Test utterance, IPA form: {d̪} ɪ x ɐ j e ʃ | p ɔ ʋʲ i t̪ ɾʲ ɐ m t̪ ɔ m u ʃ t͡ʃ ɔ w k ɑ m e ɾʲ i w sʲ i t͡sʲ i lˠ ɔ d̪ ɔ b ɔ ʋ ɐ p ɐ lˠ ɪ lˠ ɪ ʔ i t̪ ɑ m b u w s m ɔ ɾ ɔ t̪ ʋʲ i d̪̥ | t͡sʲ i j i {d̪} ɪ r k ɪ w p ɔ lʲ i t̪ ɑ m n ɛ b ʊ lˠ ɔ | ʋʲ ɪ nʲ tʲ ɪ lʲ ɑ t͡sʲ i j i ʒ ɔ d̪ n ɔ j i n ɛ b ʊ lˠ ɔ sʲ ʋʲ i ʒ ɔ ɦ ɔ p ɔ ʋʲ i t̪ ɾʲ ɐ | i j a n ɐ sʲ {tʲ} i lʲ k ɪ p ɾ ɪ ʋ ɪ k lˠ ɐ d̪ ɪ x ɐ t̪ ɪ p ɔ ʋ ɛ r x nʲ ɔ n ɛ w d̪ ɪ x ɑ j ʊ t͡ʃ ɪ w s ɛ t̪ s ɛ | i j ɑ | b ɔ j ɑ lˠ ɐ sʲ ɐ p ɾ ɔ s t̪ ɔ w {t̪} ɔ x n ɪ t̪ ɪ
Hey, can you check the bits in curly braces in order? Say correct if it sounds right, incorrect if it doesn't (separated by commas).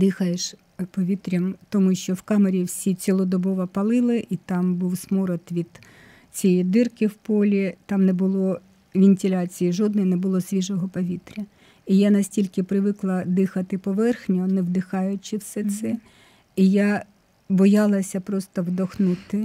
correct, correct, correct, incorrect